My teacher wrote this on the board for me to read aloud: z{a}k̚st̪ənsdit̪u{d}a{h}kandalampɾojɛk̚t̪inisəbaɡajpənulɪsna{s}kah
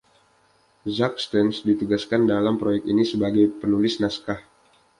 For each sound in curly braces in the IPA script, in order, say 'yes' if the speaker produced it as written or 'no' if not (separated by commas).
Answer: yes, no, no, yes